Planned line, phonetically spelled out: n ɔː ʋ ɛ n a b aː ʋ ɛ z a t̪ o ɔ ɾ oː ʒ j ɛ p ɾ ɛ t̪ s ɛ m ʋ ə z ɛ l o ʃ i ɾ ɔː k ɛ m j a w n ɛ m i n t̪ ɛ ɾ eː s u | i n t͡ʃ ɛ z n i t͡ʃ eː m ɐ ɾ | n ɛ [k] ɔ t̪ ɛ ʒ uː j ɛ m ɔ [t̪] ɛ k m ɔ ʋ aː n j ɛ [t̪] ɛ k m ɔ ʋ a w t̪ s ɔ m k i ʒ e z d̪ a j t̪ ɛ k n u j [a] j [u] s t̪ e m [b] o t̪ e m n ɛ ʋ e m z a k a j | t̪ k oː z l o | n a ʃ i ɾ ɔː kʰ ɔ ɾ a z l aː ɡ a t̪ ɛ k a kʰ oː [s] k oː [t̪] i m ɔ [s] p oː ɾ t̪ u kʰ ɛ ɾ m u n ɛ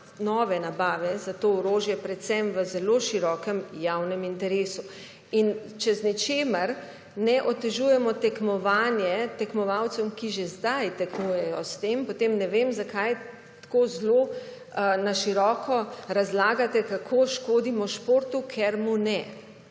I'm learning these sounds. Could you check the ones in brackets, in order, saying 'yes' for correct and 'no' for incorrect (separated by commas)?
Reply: no, yes, yes, no, no, no, no, no, no